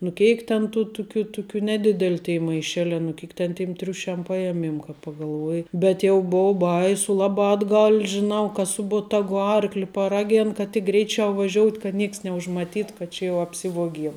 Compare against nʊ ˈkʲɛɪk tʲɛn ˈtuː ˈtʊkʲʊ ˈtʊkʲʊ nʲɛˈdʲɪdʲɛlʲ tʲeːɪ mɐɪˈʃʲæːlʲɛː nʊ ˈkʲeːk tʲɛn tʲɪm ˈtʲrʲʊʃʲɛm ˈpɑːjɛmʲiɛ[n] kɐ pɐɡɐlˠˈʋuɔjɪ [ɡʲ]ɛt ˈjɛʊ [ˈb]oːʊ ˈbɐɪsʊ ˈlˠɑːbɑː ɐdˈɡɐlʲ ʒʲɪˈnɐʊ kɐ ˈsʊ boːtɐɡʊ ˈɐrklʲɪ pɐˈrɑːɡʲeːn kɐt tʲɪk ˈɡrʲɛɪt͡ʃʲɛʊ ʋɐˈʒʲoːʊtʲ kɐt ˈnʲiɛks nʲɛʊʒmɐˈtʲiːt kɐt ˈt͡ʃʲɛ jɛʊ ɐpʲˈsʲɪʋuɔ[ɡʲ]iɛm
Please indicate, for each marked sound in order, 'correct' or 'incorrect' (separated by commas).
incorrect, incorrect, correct, correct